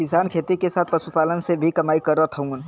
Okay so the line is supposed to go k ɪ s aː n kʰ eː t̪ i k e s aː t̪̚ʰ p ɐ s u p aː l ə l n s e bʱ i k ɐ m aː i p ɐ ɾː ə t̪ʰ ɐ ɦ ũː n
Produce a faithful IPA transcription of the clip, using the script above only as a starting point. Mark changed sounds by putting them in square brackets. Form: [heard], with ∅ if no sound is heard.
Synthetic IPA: k ɪ s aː n kʰ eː t̪ i k e s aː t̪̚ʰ p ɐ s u p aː l ə [∅] n s e bʱ i k ɐ m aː i [k] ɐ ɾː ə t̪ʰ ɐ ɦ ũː n

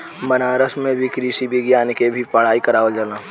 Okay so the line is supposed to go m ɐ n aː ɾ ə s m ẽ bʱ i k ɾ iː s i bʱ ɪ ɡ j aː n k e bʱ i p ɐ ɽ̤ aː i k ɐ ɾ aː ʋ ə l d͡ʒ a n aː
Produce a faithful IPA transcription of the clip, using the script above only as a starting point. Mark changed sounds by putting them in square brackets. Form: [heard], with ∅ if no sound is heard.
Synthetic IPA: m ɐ n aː ɾ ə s m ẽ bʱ i k ɾ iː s i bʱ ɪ ɡ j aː n k e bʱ i p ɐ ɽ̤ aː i k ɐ ɾ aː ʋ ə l d͡ʒ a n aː

